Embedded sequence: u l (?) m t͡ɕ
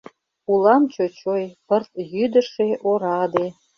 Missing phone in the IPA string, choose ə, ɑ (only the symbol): ɑ